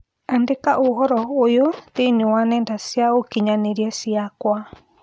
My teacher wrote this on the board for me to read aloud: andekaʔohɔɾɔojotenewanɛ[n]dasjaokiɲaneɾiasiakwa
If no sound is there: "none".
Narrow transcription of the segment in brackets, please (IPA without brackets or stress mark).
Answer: n